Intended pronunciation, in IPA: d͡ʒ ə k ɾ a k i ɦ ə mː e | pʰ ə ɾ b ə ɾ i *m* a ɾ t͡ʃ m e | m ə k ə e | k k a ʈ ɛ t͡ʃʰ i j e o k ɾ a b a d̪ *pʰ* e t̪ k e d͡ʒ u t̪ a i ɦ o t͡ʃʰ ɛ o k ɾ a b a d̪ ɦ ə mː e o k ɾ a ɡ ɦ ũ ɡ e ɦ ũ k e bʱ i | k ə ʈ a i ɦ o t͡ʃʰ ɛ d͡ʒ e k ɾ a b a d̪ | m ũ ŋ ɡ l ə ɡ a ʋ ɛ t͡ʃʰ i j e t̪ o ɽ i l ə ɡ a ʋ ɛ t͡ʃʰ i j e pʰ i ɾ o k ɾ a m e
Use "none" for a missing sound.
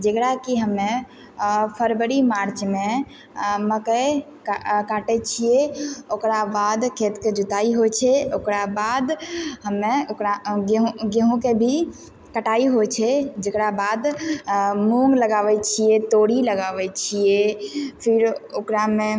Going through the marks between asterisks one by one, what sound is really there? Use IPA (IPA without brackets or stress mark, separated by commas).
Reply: m, kʰ